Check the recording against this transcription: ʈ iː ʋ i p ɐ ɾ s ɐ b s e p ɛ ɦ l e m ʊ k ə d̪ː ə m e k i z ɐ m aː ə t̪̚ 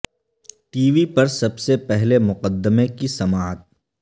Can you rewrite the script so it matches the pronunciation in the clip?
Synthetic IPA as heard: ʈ iː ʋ i p ɐ ɾ s ɐ b s e p ɛ ɦ l e m ʊ q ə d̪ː ə m e k i s ɐ m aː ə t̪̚